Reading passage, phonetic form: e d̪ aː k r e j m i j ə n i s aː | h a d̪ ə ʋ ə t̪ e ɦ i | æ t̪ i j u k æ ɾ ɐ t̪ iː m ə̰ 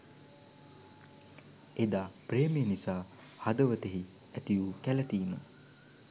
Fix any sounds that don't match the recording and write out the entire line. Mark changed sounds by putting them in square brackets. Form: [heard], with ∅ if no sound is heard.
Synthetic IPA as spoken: e d̪ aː [p] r e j m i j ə n i s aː | h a d̪ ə ʋ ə t̪ e ɦ i | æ t̪ i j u k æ [l] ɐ t̪ iː m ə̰